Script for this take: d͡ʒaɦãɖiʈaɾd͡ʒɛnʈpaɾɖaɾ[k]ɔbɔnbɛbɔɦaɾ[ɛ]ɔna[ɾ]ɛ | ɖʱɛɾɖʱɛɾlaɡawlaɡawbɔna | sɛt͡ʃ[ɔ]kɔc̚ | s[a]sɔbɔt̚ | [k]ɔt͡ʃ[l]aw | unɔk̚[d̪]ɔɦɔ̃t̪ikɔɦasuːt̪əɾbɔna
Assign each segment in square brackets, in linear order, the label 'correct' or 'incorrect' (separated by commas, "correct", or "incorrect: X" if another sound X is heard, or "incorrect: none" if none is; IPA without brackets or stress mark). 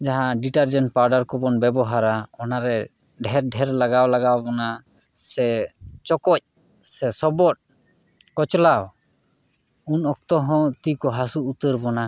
correct, incorrect: a, correct, correct, incorrect: ɛ, correct, correct, incorrect: t̪